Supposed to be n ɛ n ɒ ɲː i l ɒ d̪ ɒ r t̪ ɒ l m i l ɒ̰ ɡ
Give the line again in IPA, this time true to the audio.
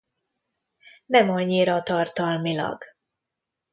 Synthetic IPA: n ɛ m ɒ ɲː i ɾ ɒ t̪ ɒ r t̪ ɒ l m i l ɒ̰ ɡ

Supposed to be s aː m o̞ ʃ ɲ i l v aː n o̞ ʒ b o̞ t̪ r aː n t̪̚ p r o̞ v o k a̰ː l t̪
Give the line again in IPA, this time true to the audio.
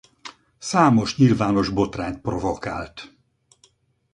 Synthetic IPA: s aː m o̞ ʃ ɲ i l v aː n o̞ ʒ b o̞ t̪ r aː n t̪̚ p r o̞ v o k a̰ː l t̪

